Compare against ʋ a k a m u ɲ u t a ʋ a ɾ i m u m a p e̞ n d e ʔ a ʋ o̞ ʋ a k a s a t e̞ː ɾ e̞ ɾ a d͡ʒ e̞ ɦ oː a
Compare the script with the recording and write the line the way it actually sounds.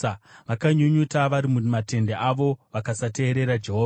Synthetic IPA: ʋ a k a ɲ u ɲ u t a ʋ a ɾ i m u m a t e̞ n d e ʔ a ʋ o̞ ʋ a k a s a t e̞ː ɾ e̞ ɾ a d͡ʒ e̞ ɦ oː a